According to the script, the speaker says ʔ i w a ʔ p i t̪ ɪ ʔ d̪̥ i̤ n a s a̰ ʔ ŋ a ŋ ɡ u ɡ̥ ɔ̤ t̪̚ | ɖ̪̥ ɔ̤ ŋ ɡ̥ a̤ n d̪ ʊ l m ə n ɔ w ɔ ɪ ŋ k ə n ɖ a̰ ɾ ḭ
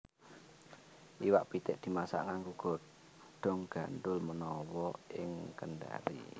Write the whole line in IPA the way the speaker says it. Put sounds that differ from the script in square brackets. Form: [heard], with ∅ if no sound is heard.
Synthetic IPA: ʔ i w a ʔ p i t̪ ɪ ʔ d̪̥ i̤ [m] a s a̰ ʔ ŋ a ŋ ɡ u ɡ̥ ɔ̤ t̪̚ | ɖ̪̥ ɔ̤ ŋ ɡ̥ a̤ n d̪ ʊ l m ə n ɔ w ɔ ɪ ŋ k ə n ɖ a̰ ɾ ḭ